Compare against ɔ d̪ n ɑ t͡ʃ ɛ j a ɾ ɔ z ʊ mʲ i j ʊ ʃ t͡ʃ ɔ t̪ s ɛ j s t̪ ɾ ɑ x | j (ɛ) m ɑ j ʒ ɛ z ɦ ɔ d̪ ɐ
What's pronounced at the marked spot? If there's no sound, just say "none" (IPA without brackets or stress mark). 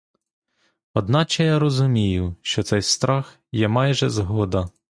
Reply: ɛ